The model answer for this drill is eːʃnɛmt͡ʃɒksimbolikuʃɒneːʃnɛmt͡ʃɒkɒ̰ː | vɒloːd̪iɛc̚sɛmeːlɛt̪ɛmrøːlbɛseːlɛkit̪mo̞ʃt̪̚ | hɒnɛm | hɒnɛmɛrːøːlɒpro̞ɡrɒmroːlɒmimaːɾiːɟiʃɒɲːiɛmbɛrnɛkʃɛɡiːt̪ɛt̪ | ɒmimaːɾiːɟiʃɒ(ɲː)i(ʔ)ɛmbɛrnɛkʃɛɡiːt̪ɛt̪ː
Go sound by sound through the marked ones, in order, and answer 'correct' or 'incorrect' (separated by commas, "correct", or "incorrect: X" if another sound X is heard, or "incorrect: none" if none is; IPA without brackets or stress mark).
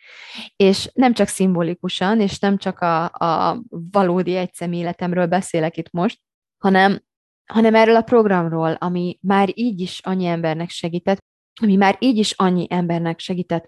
correct, correct